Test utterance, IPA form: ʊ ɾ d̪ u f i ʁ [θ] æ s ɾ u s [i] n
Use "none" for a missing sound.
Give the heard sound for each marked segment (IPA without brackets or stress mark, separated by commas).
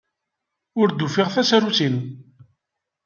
θ, i